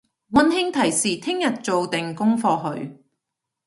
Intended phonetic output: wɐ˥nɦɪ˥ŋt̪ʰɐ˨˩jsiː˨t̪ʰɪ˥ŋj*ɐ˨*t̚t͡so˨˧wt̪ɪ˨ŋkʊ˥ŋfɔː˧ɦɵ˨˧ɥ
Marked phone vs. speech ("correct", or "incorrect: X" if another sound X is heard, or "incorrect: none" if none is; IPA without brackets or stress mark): correct